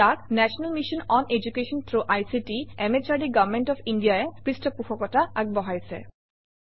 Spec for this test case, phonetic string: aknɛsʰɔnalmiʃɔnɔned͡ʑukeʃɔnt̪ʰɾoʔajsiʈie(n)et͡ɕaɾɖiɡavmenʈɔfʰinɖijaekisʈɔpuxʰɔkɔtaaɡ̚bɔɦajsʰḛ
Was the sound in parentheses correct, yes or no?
no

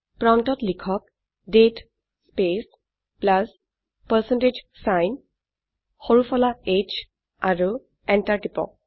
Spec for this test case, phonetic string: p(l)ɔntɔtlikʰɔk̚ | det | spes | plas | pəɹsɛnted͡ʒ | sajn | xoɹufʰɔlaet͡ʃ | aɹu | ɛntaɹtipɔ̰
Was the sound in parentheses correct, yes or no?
no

